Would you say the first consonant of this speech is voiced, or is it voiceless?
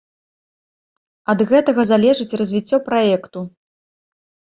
voiced